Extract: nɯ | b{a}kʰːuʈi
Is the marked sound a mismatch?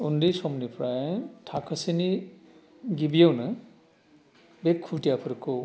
yes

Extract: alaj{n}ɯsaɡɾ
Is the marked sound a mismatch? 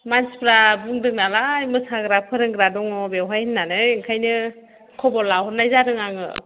yes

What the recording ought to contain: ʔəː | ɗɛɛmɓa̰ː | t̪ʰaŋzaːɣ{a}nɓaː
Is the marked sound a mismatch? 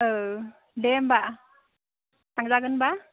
yes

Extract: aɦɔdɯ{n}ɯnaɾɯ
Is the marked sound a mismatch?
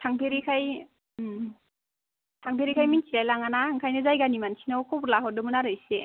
yes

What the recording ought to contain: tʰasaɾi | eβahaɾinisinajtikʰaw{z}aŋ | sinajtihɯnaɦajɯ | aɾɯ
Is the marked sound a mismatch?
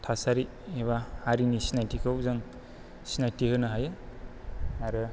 no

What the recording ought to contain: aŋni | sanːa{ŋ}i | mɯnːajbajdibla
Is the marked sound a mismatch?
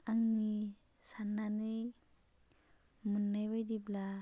yes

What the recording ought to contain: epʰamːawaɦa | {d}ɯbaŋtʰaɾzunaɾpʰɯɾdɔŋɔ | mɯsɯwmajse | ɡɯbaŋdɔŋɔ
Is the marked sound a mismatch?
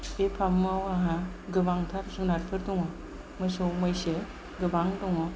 yes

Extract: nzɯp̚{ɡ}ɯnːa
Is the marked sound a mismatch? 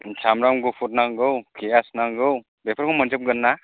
no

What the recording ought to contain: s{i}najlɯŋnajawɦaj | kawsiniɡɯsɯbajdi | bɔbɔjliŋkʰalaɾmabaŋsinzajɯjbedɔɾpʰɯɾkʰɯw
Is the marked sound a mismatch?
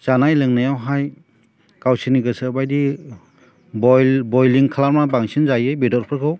yes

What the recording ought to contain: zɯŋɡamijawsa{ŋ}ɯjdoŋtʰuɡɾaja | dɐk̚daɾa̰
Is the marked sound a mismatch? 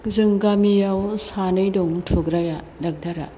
yes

